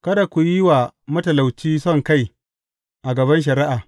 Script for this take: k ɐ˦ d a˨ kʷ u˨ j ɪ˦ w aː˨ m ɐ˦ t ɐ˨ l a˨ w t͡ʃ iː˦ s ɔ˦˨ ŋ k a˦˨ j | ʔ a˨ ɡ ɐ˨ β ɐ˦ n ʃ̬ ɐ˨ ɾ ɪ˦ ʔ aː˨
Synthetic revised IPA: k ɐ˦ d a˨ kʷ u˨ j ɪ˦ w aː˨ m ɐ˦ t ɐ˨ l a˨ w t͡ʃ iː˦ s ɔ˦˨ ŋ k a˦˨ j | ʔ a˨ ɡ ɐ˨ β ɐ˦ n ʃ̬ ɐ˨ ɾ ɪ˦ ʔ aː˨